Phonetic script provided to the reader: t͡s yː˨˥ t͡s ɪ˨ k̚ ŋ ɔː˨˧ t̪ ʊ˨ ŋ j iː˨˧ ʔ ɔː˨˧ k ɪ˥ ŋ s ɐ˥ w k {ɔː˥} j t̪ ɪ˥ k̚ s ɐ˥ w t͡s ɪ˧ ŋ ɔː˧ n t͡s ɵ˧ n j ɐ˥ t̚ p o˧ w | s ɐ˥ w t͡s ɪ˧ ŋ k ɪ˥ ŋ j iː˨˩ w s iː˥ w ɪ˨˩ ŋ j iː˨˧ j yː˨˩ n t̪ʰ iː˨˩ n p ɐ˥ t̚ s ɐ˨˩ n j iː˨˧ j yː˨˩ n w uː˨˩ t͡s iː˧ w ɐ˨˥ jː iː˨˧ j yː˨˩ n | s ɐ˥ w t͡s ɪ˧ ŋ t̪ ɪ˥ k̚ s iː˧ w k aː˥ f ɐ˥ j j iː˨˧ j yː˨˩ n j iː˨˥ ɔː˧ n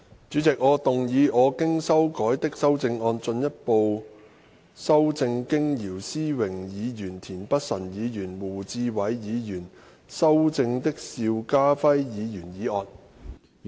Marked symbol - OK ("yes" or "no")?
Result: no